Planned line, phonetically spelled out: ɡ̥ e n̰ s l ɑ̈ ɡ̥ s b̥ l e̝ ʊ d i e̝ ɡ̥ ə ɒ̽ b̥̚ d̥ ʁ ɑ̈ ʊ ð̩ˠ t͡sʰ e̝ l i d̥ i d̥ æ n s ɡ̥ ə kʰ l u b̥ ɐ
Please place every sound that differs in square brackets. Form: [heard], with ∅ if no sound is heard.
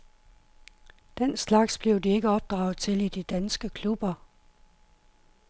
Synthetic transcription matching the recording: [d̥] e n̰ s l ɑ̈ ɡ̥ s b̥ l e̝ ʊ d i e̝ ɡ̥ ə ɒ̽ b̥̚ d̥ ʁ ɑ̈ ʊ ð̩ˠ t͡sʰ e̝ l i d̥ i d̥ æ n s ɡ̥ ə kʰ l u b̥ ɐ

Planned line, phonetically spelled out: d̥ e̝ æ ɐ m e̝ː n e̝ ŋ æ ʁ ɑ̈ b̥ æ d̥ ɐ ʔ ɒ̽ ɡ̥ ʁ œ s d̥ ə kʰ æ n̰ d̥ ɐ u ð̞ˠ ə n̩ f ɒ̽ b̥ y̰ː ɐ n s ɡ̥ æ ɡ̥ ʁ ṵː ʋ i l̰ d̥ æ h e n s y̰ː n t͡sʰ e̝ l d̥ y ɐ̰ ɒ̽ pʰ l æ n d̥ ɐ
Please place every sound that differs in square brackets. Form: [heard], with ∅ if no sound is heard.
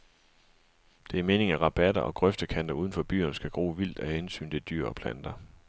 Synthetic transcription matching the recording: d̥ e̝ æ ɐ m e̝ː n e̝ ŋ æ ʁ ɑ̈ b̥ æ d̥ ɐ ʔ ɒ̽ ɡ̥ ʁ œ [f] d̥ ə kʰ æ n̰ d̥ ɐ u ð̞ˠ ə n̩ f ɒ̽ b̥ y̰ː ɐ n s ɡ̥ æ ɡ̥ ʁ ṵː ʋ i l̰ d̥ æ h e n s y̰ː n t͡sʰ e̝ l d̥ y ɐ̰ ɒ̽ pʰ l æ n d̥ ɐ

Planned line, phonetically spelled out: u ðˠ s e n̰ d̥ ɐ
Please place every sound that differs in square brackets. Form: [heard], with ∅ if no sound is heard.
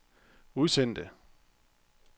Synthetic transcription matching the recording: u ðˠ s e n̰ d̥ [ə]

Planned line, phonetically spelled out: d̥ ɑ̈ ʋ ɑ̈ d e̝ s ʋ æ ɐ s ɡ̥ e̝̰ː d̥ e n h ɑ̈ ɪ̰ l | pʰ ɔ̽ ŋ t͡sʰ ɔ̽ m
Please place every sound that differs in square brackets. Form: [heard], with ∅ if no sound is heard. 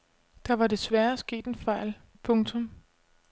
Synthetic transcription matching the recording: d̥ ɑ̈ ʋ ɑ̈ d e̝ s ʋ æ ɐ s ɡ̥ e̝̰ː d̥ e n [f] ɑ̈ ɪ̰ l | pʰ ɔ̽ ŋ t͡sʰ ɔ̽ m

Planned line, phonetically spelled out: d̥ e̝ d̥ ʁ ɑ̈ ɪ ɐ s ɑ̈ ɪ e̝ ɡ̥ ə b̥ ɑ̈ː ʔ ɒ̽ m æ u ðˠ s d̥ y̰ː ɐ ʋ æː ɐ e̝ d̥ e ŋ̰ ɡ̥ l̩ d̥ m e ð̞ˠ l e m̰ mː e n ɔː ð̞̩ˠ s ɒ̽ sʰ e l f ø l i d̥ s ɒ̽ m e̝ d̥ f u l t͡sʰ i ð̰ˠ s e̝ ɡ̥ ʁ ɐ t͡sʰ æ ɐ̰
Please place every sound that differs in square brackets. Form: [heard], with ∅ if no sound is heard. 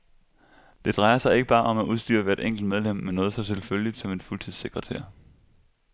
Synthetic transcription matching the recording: d̥ e̝ d̥ ʁ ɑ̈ ɪ ɐ s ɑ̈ ɪ e̝ ɡ̥ ə b̥ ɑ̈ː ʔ ɒ̽ m æ u ðˠ s d̥ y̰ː ɐ ʋ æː ɐ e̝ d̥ e ŋ̰ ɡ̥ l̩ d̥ m e ð̞ˠ l e m̰ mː e n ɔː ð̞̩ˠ s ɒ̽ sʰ e l f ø l i d̥ s ɒ̽ m e̝ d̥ f u l t͡sʰ i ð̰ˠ s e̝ ɡ̥ ʁ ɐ t͡sʰ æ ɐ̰

